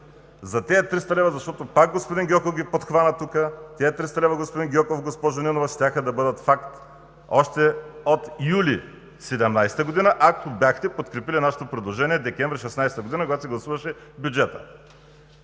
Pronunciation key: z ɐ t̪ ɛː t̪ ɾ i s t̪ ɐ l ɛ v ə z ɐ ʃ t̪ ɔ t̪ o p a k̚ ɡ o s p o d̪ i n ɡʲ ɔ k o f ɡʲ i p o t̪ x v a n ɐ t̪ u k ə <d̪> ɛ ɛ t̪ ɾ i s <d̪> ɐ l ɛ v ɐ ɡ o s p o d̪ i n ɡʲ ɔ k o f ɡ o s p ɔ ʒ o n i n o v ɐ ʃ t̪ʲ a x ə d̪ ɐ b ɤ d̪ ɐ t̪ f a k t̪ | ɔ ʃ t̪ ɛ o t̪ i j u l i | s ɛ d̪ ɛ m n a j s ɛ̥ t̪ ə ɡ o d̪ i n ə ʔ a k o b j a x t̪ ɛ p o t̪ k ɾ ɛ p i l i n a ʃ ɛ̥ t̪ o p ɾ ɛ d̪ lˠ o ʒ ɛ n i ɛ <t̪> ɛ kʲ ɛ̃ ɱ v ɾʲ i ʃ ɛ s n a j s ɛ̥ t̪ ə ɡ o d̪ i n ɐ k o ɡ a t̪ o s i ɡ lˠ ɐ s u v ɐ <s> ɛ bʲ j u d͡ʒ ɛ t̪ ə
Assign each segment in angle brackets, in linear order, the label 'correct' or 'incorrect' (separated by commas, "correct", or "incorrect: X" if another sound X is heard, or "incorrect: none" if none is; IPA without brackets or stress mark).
incorrect: t̪, incorrect: t̪, incorrect: d̪, incorrect: ʃ